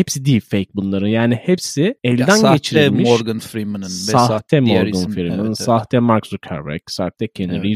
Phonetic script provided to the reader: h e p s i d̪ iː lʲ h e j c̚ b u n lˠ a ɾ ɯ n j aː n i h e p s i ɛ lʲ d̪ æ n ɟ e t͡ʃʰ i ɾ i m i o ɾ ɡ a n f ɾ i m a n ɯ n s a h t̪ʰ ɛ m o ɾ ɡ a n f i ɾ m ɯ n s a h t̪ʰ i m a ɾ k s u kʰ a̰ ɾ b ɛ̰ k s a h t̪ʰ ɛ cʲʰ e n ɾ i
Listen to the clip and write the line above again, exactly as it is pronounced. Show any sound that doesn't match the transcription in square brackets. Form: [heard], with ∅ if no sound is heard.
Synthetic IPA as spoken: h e p s i d̪ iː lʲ [f] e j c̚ b u n lˠ a ɾ ɯ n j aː n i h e p s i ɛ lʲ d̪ æ n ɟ e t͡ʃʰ i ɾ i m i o ɾ ɡ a n f ɾ i m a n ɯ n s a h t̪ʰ ɛ m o ɾ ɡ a n f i ɾ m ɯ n s a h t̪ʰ [ɛ] m a ɾ k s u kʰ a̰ ɾ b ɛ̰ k s a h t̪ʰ ɛ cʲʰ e n ɾ i